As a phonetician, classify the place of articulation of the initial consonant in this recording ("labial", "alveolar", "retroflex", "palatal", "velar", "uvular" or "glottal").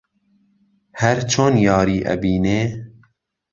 glottal